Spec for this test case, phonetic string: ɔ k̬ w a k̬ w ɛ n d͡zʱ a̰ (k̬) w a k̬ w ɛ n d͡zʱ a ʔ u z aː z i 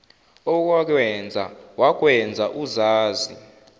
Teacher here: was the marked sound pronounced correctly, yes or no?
no